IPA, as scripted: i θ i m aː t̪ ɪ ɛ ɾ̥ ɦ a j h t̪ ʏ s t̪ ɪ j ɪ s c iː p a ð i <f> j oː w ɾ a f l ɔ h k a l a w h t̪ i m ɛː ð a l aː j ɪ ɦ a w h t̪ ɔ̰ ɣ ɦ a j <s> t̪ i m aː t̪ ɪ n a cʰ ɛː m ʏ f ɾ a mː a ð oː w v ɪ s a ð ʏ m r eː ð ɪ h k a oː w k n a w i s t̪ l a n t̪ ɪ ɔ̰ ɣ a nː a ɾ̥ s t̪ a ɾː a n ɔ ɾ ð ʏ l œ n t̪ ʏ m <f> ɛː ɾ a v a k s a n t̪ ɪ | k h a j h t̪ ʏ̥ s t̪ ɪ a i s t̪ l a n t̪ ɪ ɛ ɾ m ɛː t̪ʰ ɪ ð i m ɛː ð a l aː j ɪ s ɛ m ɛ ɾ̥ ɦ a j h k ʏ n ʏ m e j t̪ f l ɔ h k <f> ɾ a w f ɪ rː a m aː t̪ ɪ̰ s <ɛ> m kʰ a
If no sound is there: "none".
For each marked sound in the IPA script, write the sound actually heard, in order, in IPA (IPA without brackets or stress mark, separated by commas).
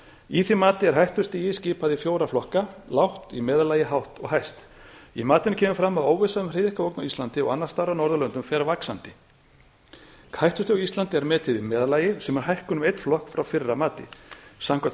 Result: f, s, f, f, a